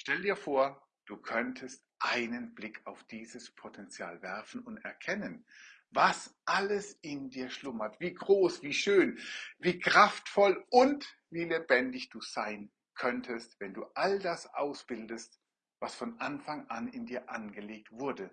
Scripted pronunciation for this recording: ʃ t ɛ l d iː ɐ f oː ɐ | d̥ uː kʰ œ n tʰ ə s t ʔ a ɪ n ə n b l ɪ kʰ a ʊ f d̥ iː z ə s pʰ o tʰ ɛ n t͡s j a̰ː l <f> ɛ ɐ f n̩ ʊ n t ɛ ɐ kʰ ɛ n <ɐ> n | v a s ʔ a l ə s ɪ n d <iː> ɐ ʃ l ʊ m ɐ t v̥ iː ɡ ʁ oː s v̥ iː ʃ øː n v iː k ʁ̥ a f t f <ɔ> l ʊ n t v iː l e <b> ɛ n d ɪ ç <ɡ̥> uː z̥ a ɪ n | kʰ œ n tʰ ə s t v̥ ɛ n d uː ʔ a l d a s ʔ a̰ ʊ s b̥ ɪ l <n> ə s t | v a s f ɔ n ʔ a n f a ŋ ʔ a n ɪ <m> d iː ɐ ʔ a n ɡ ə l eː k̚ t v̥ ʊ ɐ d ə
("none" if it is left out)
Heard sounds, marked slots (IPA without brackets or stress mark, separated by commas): v, ə, iː, ɔ, b, d̥, d, n